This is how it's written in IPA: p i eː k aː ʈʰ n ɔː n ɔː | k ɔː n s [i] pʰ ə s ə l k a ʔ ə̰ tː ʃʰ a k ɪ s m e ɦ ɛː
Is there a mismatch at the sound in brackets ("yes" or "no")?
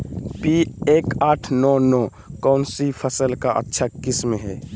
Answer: no